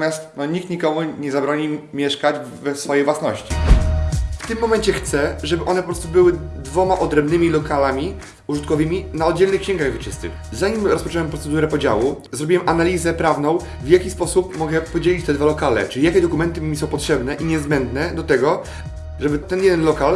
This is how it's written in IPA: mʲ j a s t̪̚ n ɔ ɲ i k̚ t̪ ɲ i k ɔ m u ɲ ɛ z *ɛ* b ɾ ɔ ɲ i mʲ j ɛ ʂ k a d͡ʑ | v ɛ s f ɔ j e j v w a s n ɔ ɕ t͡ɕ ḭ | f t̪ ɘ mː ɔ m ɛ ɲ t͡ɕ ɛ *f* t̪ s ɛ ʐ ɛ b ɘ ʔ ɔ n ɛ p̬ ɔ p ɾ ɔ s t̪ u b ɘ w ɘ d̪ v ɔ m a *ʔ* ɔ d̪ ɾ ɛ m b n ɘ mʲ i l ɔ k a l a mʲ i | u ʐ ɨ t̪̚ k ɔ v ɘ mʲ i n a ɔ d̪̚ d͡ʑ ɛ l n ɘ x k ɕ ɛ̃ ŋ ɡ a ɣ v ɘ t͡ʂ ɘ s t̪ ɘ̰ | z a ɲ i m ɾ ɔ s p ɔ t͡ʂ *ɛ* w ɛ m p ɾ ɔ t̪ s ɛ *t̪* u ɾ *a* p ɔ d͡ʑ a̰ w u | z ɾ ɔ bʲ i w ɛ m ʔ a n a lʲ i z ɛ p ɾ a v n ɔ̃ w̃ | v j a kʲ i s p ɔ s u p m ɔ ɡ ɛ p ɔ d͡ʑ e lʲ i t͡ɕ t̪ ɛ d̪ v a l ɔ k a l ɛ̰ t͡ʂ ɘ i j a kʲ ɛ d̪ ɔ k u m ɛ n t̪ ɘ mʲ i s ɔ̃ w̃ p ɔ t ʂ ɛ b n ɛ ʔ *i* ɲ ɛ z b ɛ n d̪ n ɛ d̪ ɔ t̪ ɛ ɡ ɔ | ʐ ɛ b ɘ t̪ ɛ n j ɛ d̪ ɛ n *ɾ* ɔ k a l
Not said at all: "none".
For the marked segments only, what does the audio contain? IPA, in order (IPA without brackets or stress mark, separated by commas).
a, x, ʔ, ɛ, d̪, ɛ, i, l